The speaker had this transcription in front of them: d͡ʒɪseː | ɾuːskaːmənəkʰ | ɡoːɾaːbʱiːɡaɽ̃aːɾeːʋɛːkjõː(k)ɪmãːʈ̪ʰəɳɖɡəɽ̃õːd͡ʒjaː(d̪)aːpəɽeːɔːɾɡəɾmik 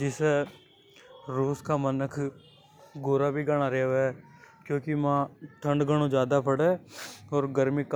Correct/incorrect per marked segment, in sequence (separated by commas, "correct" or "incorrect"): correct, correct